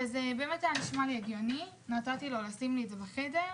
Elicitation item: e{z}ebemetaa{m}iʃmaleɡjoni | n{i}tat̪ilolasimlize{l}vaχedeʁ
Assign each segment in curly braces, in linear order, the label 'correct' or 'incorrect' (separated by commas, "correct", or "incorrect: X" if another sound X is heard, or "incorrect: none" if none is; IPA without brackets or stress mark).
correct, incorrect: n, incorrect: a, incorrect: none